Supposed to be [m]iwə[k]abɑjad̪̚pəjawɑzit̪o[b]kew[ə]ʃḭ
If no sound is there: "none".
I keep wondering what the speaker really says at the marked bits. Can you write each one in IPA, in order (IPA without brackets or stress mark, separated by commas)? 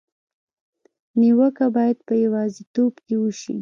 n, k, b, ə